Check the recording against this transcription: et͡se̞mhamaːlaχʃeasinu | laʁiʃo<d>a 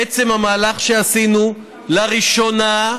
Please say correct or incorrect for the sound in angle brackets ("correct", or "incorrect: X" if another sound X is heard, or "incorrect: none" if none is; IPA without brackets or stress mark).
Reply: incorrect: n